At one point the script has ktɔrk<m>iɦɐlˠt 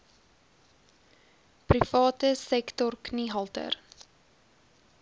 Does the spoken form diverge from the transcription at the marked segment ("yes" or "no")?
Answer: yes